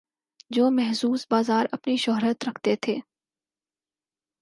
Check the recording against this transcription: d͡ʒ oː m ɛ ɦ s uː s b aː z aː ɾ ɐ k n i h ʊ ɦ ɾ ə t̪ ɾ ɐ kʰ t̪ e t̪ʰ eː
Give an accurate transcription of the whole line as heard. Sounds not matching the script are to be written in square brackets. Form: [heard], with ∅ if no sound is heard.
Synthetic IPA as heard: d͡ʒ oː m ɛ ɦ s uː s b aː z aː ɾ ɐ [p] n i [ʃ] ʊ ɦ ɾ ə t̪ ɾ ɐ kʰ t̪ e t̪ʰ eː